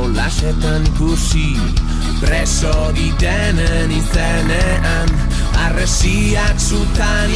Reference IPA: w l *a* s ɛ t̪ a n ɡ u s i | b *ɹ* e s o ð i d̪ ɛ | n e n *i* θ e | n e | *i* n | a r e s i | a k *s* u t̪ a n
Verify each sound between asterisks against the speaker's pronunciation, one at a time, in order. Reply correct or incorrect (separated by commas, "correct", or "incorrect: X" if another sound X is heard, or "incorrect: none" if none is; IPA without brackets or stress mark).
correct, incorrect: ɾ, correct, incorrect: a, correct